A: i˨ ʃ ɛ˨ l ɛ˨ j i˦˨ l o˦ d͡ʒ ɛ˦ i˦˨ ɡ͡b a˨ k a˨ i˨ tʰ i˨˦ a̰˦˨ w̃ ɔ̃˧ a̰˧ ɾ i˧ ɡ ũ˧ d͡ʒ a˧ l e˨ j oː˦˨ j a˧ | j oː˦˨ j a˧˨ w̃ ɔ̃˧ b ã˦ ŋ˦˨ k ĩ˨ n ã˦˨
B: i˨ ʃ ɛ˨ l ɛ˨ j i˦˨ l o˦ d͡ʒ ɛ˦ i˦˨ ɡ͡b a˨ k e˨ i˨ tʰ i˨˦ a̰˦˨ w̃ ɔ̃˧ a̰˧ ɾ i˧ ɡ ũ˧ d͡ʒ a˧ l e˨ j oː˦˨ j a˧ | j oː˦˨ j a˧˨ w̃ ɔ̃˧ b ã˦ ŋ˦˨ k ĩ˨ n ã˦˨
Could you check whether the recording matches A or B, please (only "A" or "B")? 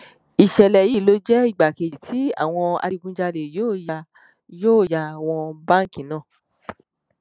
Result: B